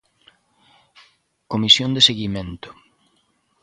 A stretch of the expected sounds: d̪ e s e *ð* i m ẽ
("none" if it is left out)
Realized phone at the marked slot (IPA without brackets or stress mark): ɣ